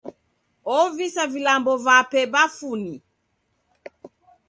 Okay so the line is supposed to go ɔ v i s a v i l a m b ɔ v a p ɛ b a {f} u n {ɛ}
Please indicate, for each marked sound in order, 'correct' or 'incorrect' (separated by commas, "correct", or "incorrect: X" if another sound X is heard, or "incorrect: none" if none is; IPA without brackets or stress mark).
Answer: correct, incorrect: i